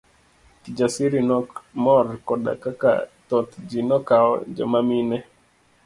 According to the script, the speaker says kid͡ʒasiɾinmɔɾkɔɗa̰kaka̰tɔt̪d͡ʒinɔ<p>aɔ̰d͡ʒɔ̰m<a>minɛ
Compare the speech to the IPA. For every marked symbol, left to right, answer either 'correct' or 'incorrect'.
incorrect, correct

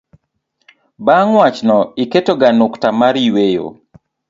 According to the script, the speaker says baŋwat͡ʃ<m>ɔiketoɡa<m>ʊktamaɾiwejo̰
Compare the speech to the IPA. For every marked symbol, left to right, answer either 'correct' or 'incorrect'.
incorrect, incorrect

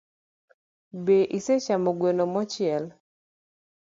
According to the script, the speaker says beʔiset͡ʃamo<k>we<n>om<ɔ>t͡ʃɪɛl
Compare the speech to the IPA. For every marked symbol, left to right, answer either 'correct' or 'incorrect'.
incorrect, correct, correct

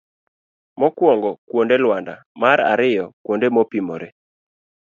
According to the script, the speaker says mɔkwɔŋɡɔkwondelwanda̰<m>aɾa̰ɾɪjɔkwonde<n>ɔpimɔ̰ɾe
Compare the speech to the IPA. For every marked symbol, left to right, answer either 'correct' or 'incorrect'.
correct, incorrect

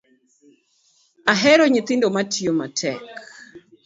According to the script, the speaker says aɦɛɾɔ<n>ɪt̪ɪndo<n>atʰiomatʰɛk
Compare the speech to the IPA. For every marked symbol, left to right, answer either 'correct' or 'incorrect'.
incorrect, incorrect

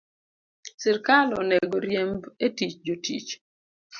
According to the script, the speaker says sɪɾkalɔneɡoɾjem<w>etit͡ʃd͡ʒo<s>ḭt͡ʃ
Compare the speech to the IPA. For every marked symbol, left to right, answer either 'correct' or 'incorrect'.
incorrect, incorrect

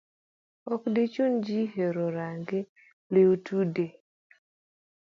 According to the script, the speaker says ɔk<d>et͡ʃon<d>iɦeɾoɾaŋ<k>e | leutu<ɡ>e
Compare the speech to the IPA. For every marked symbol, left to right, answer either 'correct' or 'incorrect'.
correct, incorrect, incorrect, incorrect

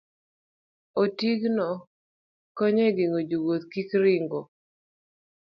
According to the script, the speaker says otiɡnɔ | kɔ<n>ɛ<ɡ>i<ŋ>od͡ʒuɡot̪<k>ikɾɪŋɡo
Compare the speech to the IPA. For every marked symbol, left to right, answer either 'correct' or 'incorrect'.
incorrect, correct, correct, correct

